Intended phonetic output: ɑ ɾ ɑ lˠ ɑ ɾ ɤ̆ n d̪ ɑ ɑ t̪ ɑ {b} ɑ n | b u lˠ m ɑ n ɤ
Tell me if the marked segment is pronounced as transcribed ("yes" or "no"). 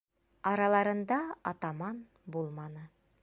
no